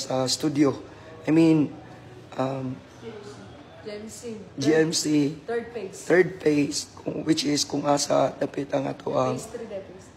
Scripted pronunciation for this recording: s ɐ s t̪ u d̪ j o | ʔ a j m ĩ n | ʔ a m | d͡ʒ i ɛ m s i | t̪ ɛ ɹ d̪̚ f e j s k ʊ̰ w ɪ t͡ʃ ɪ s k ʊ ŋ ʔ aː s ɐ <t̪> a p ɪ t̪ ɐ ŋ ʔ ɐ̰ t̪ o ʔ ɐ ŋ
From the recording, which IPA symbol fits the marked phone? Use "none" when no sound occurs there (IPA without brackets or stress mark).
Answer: d̪